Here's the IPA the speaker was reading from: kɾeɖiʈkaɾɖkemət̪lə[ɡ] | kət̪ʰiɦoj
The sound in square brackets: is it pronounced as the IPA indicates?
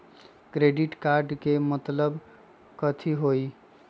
no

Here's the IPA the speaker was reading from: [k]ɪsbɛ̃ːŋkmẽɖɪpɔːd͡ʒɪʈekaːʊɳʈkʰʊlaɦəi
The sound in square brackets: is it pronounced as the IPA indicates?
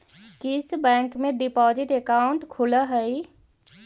yes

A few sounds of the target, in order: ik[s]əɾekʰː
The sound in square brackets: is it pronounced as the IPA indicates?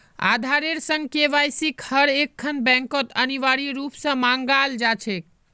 no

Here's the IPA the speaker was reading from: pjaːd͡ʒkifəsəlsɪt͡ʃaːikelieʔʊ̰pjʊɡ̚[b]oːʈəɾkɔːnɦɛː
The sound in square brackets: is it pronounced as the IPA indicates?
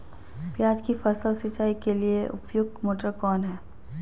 no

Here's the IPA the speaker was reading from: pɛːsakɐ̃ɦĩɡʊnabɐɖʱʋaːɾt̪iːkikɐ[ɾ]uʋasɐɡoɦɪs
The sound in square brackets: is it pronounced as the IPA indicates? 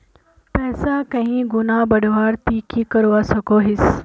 yes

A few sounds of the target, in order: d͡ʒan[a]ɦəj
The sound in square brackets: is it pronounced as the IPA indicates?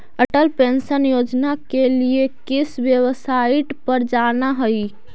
yes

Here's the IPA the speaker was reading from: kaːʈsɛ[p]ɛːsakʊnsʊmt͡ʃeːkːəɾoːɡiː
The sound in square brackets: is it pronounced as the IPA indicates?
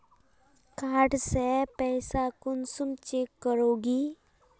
yes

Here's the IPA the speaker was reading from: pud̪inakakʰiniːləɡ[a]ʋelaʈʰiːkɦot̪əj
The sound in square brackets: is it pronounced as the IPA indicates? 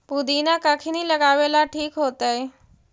yes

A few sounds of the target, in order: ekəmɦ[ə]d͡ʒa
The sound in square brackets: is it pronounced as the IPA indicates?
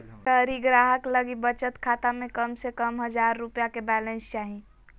yes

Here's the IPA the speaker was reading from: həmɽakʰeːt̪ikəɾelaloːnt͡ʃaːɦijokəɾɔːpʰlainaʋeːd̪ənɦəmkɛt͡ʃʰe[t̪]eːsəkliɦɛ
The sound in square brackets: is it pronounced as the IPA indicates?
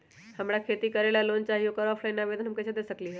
no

